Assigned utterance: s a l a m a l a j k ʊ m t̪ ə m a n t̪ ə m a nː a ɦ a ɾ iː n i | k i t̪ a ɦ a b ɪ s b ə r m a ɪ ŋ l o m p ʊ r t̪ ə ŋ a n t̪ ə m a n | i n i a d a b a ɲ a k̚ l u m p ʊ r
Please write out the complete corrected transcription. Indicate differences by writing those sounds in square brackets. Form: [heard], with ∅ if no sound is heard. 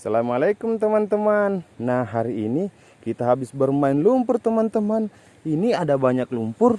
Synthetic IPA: s a l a m a l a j k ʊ m t̪ ə m a n t̪ ə m a nː a ɦ a ɾ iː n i | k i t̪ a ɦ a b ɪ s b ə r m a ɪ [n] l [u] m p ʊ r t̪ ə [m] a n t̪ ə m a n | i n i a d a b a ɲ a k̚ l u m p ʊ r